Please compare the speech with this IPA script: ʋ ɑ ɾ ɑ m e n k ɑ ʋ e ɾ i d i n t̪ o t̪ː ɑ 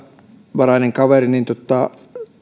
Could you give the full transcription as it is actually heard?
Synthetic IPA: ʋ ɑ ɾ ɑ n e ŋ k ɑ ʋ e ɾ i n i n t̪ o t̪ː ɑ